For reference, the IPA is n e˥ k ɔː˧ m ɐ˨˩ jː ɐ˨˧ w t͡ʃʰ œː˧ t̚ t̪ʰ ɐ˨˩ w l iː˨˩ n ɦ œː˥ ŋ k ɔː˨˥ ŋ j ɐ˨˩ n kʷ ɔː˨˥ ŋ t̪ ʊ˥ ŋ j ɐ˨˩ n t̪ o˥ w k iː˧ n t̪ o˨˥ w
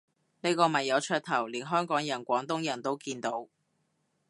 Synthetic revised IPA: n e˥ k ɔː˧ m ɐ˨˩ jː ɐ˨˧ w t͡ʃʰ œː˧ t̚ t̪ʰ ɐ˨˩ w l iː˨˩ n ɦ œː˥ ŋ k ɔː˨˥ ŋ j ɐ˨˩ n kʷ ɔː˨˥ ŋ t̪ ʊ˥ ŋ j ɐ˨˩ n t̪ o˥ w k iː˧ n t̪ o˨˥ w